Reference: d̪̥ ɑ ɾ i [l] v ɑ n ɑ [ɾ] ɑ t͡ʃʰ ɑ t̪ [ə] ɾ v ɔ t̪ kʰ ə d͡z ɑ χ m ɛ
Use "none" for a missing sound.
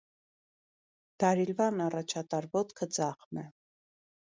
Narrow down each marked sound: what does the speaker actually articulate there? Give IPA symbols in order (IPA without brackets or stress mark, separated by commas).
l, r, ɑ